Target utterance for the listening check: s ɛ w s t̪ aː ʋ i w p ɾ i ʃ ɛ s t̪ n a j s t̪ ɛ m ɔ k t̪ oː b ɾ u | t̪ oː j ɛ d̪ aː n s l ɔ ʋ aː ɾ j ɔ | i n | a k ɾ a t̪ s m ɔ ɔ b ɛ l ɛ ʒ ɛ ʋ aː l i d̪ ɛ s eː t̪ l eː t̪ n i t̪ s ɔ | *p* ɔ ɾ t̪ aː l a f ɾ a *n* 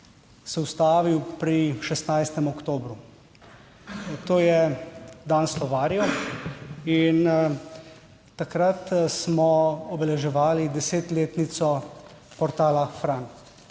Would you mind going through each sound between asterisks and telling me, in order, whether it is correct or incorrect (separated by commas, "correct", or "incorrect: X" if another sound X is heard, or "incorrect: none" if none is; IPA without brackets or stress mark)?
correct, correct